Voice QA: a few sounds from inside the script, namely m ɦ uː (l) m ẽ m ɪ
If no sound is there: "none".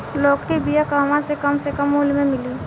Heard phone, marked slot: l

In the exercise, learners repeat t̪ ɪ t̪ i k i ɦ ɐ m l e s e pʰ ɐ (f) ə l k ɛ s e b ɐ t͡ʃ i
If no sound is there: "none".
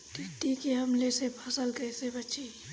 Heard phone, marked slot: s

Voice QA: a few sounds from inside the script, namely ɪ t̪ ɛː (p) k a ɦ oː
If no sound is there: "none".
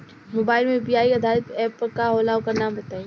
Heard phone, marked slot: p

